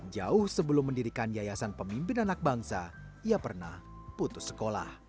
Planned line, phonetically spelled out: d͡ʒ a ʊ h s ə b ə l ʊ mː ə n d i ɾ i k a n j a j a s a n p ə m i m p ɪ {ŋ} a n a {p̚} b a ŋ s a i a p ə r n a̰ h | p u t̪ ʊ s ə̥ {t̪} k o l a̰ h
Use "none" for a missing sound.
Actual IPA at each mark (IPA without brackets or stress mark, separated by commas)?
n, k̚, none